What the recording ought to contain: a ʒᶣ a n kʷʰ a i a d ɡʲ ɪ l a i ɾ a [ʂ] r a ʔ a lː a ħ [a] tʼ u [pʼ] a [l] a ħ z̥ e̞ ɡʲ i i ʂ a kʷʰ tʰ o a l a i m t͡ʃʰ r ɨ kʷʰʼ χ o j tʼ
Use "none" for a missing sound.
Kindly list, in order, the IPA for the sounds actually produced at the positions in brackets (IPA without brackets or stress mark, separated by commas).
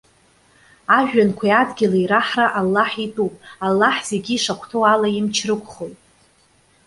ħ, i, pʼ, lː